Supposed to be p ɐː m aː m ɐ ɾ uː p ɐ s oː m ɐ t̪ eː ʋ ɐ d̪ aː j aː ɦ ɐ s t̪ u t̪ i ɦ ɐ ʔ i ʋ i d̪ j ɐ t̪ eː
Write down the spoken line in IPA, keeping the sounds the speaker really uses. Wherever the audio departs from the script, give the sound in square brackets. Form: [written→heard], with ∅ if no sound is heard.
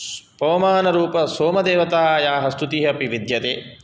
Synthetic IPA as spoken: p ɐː m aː [m→n] ɐ ɾ uː p ɐ s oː m ɐ [t̪→d̪] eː ʋ ɐ [d̪→t̪] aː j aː ɦ ɐ s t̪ u t̪ i ɦ ɐ [ʔ→p] i ʋ i d̪ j ɐ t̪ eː